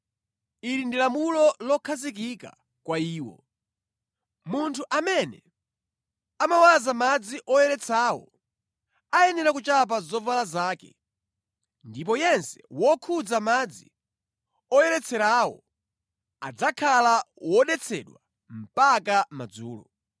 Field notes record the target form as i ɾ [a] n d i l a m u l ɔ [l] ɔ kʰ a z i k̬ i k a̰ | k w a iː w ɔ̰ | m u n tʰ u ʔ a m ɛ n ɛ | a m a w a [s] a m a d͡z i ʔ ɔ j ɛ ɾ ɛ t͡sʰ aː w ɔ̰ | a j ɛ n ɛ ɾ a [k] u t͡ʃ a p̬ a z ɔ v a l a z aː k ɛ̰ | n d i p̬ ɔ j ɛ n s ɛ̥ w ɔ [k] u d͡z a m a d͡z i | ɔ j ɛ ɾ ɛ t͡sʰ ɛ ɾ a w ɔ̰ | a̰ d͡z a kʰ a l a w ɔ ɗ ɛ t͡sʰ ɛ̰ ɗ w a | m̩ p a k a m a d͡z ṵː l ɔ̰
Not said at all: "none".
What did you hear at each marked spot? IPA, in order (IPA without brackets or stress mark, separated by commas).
i, l, z, k, kʰ